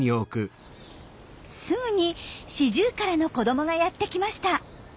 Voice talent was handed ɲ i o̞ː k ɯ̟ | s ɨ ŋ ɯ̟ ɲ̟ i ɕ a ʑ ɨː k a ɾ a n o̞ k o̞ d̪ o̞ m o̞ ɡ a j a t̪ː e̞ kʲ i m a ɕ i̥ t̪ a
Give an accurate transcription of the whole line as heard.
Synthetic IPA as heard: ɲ i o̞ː k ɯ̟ | s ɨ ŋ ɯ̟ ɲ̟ i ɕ i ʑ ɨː k a ɾ a n o̞ k o̞ d̪ o̞ m o̞ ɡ a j a t̪ː e̞ kʲ i m a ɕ i̥ t̪ a